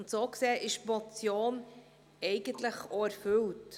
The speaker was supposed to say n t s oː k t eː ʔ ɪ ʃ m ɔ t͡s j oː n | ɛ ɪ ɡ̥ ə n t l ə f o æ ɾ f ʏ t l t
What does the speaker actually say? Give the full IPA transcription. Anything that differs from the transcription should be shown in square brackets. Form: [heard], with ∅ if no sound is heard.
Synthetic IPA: n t s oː k [s] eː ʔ ɪ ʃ m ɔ t͡s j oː n | ɛ ɪ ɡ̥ ə n t l ə [χ] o æ ɾ f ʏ [∅] l t